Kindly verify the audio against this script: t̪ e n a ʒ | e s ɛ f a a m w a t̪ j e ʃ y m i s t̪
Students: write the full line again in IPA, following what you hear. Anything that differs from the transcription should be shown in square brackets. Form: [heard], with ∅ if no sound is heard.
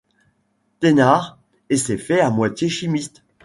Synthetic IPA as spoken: t̪ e n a [ʁ] | e s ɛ f [ɛ] a m w a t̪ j e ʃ [i] m i s t̪